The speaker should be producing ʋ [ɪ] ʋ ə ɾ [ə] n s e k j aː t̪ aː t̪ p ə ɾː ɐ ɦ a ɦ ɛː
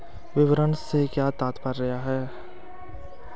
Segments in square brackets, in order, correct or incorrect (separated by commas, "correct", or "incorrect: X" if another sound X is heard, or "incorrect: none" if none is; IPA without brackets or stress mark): correct, correct